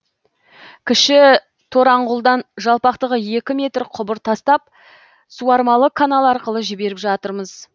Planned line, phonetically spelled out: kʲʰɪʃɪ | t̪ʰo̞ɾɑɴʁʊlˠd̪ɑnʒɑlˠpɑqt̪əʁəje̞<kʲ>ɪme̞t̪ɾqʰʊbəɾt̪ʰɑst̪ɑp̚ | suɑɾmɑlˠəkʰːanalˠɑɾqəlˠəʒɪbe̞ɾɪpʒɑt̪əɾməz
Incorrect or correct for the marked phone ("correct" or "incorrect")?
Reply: correct